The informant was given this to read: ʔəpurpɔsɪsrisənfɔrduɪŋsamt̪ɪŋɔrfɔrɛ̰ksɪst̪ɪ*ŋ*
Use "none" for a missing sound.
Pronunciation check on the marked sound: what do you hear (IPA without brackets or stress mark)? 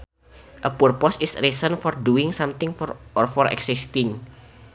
ŋ